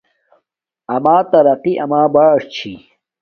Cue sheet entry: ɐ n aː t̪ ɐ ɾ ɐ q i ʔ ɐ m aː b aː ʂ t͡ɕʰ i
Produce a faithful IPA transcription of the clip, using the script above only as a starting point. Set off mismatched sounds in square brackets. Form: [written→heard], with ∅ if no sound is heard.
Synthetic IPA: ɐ [n→m] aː t̪ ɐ ɾ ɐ q i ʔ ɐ m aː b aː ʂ t͡ɕʰ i